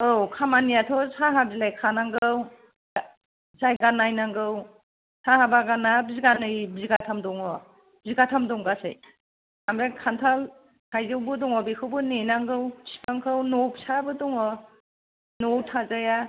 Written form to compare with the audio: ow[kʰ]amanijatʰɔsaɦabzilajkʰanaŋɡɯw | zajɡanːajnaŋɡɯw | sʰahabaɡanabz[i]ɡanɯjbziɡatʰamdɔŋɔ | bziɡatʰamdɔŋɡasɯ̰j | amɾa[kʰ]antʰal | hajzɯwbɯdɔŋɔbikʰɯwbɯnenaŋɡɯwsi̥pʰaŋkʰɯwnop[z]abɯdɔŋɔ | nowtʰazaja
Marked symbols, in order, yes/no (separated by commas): yes, yes, yes, no